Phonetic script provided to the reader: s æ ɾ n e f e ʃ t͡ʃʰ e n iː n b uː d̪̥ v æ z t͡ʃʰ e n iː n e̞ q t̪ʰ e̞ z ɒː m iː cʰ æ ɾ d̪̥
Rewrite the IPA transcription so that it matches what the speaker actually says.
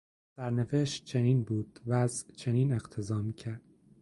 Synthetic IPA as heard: s æ ɾ n e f e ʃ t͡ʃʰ e n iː n b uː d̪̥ v æ z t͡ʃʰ e n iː n e̞ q t̪ʰ e̞ z ɒː m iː cʰ æ ɾ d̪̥